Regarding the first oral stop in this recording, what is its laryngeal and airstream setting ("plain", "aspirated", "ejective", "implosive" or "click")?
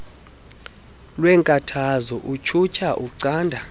ejective